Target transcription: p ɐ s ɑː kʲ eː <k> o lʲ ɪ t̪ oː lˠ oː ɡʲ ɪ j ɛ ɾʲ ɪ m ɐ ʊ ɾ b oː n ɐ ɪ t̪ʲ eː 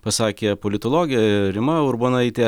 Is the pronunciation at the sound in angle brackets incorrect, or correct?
incorrect